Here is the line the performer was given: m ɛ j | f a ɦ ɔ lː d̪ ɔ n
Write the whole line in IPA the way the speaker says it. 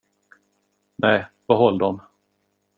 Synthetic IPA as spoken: n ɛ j | v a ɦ ɔ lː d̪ ɔ m